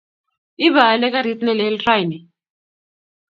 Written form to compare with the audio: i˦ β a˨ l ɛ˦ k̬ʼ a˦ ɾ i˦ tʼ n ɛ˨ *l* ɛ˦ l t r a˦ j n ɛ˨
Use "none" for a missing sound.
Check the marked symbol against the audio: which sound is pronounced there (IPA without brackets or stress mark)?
l